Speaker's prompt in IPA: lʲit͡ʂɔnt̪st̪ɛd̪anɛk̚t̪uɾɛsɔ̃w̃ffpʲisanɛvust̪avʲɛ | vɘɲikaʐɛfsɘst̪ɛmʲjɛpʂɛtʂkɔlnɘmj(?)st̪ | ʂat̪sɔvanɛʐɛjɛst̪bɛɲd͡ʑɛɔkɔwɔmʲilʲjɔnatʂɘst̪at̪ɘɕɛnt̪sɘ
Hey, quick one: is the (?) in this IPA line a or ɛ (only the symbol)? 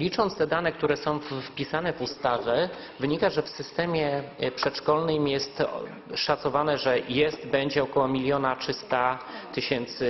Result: ɛ